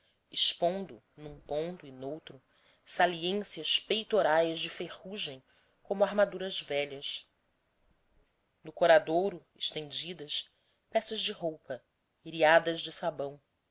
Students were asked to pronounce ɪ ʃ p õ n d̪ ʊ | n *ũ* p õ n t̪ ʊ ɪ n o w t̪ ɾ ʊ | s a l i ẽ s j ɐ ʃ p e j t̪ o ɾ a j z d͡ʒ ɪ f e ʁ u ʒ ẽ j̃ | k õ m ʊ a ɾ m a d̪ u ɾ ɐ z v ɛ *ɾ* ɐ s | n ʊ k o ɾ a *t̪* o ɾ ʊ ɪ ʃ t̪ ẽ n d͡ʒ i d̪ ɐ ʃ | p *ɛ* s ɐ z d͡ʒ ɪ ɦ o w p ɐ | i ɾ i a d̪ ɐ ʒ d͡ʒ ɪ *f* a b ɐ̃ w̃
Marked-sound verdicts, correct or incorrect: correct, incorrect: ʎ, incorrect: d̪, correct, incorrect: s

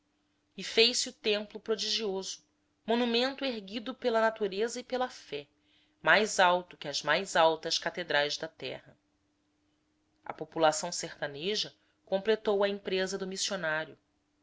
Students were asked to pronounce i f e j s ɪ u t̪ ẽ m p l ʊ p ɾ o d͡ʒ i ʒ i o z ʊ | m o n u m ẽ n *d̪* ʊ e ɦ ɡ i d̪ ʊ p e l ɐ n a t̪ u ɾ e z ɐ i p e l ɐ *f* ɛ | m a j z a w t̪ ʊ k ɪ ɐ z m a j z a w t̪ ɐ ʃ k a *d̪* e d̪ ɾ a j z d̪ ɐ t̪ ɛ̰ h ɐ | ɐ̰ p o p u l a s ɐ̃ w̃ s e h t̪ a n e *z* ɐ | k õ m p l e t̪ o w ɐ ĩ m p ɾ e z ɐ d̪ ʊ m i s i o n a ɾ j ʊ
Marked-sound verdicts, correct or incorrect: incorrect: t̪, correct, incorrect: t̪, incorrect: ʒ

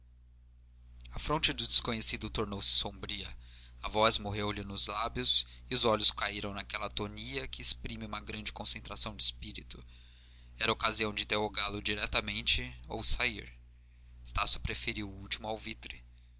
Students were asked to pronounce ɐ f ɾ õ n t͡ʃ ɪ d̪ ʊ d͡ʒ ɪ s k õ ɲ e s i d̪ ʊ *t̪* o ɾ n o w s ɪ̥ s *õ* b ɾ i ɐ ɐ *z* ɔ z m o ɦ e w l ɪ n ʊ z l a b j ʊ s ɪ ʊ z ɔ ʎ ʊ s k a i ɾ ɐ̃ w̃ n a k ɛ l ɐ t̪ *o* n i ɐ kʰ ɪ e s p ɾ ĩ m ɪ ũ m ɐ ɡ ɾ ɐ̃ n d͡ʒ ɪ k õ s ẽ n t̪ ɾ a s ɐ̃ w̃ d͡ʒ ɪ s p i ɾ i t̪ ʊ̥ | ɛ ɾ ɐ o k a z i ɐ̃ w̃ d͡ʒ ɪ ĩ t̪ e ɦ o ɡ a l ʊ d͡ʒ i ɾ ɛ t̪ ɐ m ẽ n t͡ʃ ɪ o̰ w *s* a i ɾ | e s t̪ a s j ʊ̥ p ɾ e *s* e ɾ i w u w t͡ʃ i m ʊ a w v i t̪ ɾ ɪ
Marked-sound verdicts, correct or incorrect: correct, correct, incorrect: v, correct, correct, incorrect: f

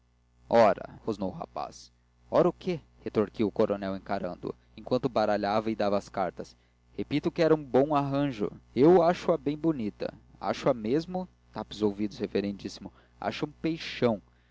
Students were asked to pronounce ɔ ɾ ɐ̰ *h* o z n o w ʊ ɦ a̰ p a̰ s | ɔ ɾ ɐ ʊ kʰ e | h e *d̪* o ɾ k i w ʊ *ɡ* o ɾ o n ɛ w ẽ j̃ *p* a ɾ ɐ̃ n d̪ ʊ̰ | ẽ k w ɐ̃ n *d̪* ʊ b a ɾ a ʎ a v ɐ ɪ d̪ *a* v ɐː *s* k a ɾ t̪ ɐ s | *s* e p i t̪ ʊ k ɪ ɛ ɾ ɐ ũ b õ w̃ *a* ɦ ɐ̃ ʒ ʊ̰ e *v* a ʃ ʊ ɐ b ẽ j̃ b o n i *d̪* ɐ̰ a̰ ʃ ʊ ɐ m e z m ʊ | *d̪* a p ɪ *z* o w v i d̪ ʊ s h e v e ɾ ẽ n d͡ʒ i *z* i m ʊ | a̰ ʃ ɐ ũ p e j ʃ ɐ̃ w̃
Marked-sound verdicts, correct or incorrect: correct, incorrect: t̪, incorrect: k, incorrect: k, incorrect: t̪, correct, correct, incorrect: h, correct, incorrect: w, incorrect: t̪, incorrect: t̪, correct, incorrect: s

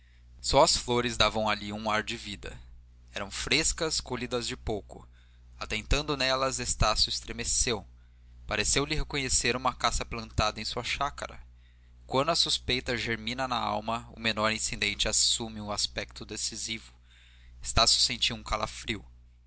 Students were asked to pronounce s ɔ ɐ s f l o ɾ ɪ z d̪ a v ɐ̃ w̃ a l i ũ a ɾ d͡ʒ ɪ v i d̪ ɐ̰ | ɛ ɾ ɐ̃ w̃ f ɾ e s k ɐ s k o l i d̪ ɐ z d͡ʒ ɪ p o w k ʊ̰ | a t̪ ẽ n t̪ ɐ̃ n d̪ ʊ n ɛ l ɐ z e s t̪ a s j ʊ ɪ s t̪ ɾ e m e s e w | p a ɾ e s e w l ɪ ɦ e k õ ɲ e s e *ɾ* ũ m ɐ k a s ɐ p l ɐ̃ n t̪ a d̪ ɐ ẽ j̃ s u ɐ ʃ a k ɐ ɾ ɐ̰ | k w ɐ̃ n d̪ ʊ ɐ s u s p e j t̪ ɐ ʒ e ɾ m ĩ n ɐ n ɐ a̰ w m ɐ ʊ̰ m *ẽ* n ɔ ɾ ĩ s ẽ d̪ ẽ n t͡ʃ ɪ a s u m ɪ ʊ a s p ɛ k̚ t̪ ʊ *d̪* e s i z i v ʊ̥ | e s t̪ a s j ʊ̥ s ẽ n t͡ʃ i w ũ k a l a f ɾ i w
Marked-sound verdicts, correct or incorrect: correct, incorrect: e, correct

